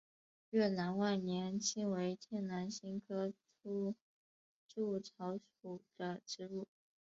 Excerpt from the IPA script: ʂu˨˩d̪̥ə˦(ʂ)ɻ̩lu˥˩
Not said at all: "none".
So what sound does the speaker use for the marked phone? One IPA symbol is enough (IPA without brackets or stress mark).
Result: ʈ͡ʂ